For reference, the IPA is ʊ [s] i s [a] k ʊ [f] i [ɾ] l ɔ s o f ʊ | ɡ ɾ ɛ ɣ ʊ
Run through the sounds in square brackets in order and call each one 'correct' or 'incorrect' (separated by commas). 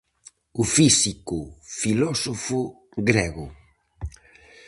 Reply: incorrect, incorrect, correct, incorrect